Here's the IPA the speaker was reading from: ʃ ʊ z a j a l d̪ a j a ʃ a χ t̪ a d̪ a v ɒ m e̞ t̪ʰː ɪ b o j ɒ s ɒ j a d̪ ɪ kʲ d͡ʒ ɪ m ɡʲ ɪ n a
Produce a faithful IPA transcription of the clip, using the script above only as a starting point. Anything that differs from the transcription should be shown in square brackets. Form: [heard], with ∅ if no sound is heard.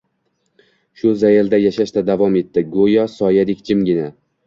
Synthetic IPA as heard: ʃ ʊ z a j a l d̪ a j a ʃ a [ʃ] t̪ a d̪ a v ɒ m e̞ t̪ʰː ɪ [ɡ] o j ɒ s ɒ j a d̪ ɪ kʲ d͡ʒ ɪ m ɡʲ ɪ n a